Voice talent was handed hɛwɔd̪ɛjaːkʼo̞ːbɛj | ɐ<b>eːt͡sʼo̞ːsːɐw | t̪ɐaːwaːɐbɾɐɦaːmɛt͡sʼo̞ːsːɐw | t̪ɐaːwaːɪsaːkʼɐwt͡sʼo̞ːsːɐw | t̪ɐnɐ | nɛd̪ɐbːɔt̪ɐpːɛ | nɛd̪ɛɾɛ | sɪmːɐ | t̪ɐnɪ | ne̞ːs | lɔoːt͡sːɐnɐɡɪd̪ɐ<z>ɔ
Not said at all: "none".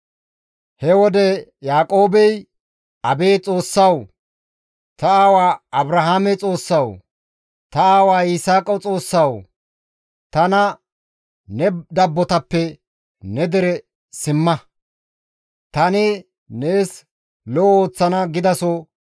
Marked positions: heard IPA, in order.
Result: b, s

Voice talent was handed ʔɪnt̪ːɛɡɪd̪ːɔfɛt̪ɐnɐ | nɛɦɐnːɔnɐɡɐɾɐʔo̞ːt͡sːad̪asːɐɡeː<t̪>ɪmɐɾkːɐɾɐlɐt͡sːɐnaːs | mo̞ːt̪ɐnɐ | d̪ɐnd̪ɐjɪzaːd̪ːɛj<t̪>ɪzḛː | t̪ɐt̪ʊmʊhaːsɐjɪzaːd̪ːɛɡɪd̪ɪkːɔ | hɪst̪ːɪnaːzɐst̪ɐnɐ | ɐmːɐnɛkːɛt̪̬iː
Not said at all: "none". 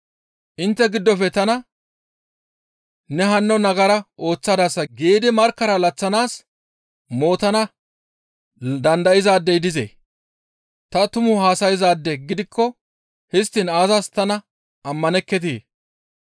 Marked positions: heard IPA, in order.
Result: d̪, d̪

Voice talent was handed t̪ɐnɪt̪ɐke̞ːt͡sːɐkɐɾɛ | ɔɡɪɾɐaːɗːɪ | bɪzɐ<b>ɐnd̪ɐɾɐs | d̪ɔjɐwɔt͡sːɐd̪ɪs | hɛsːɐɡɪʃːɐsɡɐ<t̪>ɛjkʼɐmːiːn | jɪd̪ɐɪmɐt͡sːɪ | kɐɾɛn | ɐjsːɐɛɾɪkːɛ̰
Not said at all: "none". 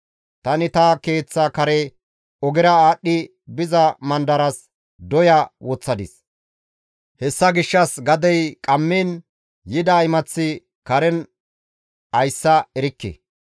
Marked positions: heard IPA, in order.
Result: m, d̪

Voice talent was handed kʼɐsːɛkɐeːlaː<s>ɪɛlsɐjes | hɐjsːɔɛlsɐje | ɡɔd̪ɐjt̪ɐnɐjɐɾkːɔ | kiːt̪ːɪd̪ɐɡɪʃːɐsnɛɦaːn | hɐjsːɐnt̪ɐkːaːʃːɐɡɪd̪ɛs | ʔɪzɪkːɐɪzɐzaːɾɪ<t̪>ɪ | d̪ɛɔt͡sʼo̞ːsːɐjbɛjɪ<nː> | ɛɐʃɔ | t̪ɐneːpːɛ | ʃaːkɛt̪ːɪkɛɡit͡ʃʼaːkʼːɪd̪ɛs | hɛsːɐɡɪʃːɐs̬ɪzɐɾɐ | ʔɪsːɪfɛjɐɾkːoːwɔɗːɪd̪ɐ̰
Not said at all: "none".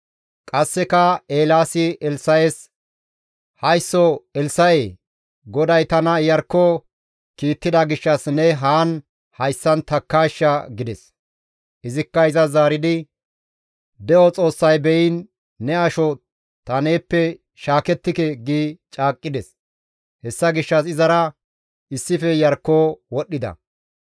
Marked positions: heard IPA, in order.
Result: s, d̪, nː

